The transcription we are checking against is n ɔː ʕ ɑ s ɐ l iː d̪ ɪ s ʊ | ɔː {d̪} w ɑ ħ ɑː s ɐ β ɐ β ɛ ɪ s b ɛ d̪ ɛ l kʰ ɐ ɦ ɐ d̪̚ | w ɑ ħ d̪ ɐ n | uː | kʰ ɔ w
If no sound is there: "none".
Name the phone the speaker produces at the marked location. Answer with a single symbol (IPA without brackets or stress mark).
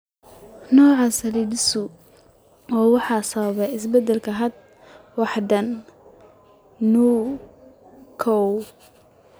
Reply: none